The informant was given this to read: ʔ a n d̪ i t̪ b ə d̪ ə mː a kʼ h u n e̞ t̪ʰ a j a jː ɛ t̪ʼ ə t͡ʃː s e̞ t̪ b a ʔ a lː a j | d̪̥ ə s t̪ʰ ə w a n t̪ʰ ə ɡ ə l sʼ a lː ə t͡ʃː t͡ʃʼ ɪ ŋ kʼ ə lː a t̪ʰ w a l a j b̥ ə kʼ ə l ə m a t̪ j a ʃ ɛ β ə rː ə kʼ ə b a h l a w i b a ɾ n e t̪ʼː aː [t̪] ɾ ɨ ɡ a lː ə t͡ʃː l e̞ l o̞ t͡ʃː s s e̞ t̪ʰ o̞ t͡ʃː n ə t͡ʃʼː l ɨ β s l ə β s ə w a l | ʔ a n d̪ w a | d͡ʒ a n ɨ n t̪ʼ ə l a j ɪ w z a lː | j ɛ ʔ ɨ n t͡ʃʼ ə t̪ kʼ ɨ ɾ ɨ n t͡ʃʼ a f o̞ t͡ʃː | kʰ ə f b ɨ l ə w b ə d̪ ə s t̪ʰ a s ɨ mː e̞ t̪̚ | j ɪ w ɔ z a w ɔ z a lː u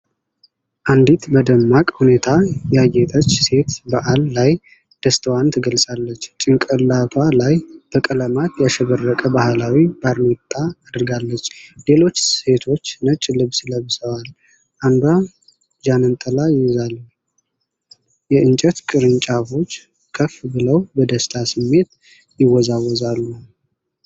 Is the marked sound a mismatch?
yes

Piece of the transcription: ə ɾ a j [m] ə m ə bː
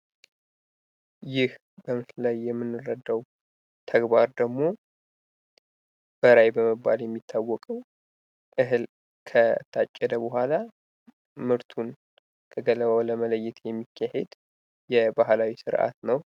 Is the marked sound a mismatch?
yes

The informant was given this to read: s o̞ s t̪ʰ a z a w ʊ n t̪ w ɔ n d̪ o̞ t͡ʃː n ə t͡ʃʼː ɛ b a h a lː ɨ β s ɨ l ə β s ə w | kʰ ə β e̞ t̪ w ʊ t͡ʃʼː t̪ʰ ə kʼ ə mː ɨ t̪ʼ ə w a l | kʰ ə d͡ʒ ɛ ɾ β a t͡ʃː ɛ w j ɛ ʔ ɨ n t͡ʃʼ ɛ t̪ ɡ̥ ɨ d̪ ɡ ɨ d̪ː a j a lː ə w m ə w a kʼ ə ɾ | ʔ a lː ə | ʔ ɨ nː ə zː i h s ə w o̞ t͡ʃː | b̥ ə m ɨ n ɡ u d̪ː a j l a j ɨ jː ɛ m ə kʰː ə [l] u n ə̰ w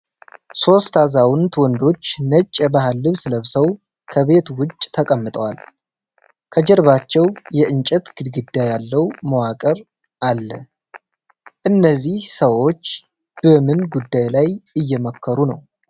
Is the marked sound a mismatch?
yes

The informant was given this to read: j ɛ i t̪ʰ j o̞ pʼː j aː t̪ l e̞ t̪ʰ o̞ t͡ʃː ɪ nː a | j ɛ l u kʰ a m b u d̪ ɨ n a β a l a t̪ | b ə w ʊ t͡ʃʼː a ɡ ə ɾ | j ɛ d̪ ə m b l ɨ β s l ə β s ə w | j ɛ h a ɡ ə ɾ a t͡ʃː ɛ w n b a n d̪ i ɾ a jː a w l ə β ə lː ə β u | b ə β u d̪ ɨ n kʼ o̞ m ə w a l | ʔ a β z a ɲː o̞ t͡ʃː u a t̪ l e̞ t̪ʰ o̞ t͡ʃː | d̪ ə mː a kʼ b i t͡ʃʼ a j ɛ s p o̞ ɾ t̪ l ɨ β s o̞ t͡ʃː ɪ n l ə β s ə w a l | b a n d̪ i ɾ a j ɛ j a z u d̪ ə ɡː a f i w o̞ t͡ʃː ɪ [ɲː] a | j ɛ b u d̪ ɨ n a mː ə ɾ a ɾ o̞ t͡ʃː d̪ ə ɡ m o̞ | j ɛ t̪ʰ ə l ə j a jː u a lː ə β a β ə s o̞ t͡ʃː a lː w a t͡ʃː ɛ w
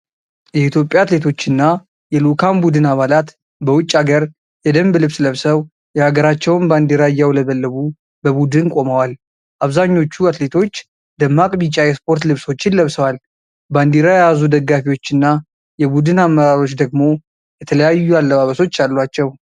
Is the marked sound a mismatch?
yes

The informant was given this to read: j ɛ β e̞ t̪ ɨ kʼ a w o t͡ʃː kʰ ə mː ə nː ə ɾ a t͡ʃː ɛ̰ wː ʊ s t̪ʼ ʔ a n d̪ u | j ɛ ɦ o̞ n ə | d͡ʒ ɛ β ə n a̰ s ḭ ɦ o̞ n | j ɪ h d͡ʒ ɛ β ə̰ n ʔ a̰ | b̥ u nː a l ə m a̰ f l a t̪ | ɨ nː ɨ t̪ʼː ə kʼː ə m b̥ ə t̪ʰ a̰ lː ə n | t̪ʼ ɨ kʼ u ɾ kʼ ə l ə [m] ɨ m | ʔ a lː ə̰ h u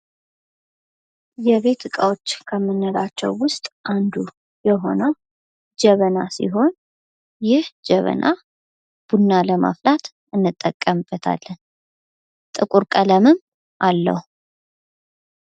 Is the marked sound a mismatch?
no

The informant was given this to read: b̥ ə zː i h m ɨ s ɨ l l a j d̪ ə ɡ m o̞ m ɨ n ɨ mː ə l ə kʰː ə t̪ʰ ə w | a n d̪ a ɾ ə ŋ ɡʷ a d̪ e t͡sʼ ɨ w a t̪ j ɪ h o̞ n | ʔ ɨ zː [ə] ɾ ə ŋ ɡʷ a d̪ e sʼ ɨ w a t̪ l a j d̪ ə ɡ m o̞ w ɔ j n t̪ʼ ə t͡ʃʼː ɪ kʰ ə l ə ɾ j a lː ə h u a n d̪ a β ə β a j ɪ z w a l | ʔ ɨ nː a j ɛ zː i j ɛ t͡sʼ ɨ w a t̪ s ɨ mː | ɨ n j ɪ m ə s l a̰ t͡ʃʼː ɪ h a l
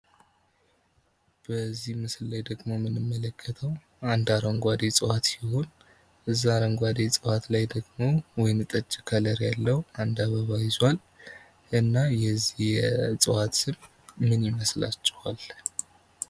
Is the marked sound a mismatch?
yes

